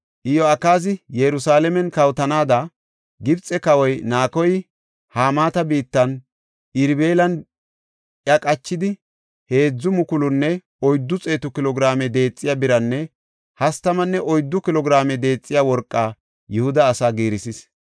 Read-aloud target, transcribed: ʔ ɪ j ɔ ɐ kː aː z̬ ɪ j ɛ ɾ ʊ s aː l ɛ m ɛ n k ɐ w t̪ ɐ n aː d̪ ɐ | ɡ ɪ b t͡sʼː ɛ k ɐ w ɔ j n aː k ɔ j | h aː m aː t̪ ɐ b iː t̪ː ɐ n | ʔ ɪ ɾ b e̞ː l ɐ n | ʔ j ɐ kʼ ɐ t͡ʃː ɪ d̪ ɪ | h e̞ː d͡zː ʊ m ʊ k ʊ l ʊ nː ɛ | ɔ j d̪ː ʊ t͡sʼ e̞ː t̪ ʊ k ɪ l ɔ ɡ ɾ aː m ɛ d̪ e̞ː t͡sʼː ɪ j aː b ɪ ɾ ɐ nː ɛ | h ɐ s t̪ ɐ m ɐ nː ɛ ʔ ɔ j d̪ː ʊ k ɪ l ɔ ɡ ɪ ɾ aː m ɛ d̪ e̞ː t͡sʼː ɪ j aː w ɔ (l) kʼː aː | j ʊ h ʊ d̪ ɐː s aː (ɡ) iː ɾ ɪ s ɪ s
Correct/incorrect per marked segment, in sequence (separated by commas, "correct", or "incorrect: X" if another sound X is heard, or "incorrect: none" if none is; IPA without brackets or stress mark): incorrect: ɾ, correct